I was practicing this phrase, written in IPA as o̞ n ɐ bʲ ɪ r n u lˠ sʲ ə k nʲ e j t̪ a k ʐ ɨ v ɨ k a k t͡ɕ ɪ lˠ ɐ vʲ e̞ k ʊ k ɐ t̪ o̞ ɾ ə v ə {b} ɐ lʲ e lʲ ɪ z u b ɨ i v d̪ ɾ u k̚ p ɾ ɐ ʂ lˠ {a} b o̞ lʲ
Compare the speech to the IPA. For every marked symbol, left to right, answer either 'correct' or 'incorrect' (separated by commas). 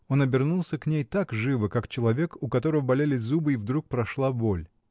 correct, correct